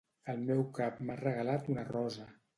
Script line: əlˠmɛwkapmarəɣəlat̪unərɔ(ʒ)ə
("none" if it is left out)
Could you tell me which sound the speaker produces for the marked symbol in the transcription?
z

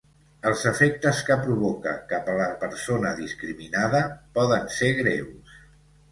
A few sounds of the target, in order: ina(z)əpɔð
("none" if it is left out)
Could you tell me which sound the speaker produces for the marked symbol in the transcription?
ð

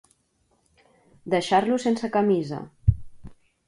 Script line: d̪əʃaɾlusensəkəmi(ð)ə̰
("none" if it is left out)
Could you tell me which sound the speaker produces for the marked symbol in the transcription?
z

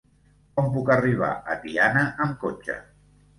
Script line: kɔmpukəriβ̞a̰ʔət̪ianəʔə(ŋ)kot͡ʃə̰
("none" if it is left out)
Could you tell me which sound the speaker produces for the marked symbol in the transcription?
m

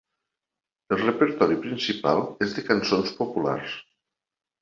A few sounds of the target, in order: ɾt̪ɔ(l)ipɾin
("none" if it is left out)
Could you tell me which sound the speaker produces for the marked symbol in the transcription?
ɾ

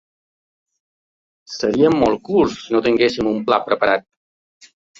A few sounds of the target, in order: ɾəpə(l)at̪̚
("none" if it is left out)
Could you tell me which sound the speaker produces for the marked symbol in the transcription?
ɾ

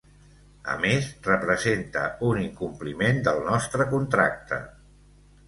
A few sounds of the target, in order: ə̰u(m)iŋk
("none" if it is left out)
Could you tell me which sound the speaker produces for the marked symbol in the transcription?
n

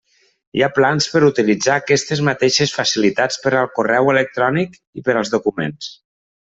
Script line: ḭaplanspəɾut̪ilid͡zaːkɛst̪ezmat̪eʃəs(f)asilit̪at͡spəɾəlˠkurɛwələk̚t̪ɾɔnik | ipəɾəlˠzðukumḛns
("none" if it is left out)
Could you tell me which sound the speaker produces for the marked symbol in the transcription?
f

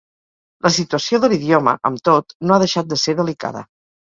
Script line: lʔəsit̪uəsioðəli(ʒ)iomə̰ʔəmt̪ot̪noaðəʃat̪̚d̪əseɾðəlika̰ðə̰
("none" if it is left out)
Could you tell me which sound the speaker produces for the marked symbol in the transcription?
ð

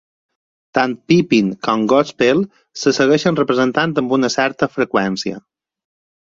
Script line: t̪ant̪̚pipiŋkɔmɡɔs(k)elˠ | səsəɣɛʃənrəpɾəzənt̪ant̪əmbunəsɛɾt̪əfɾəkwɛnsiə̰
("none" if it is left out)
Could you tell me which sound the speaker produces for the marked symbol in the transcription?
p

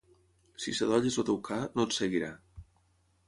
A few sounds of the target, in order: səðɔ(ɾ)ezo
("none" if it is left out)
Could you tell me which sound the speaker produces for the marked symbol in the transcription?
ʎ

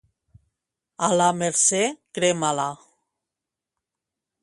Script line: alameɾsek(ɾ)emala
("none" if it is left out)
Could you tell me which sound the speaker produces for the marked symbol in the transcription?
ɾ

